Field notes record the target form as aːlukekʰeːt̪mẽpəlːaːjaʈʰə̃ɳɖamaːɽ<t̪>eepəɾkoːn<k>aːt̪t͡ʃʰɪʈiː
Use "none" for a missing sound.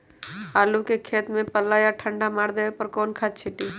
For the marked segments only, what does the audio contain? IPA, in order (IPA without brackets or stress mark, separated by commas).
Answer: d̪, kʰ